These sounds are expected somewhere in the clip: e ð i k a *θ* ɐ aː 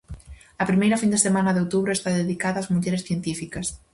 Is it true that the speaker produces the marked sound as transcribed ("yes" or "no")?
no